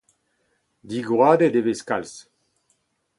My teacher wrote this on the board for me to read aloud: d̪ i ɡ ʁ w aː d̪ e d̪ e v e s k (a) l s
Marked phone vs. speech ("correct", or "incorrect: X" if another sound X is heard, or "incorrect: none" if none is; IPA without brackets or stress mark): correct